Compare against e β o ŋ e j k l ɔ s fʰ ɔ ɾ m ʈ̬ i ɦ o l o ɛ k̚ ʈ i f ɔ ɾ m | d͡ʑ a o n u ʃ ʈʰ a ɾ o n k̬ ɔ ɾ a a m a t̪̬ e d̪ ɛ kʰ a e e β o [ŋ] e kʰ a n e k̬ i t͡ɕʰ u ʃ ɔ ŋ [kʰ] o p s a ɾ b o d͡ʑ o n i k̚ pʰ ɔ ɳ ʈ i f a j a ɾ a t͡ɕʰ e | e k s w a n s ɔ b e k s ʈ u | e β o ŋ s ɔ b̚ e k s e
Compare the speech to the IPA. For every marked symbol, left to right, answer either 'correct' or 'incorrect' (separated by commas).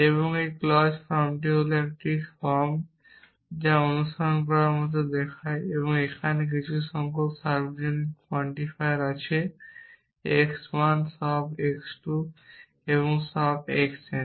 correct, incorrect